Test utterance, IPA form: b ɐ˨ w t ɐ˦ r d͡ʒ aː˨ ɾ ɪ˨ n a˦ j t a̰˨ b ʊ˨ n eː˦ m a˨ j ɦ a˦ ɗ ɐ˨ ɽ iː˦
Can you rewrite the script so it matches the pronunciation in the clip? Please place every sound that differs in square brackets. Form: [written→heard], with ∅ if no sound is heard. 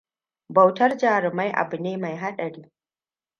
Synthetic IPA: b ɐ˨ w t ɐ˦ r d͡ʒ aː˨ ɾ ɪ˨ [n→m] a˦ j [t→ʔ] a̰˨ b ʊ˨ n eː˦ m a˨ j ɦ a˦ ɗ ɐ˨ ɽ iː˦